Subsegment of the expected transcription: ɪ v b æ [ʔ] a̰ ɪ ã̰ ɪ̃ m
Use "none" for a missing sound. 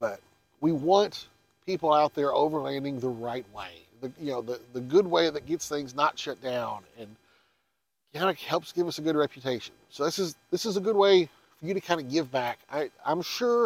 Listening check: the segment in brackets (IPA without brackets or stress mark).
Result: k